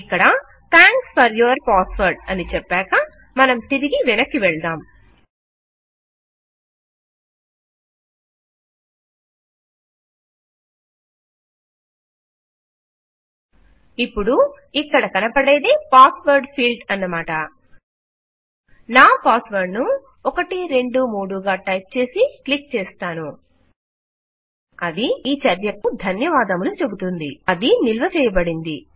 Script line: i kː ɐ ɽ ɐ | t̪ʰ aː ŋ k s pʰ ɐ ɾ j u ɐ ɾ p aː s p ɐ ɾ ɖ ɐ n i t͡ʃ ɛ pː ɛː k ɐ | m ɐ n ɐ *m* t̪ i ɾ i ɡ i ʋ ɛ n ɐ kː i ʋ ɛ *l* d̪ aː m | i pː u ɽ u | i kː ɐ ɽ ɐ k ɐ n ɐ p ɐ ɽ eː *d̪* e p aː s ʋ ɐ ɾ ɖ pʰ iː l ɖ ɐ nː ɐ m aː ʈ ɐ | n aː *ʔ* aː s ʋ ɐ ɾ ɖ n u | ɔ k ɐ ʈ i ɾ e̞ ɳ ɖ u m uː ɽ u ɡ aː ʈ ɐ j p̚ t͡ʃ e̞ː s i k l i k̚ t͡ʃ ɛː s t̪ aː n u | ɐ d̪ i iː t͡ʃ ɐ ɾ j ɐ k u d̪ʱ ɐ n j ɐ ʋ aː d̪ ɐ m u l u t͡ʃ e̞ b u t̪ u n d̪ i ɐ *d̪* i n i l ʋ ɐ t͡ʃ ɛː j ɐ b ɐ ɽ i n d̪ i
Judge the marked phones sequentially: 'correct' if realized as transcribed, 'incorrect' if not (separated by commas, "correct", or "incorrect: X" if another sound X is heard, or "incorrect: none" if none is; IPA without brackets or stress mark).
correct, incorrect: ɭ, correct, incorrect: p, correct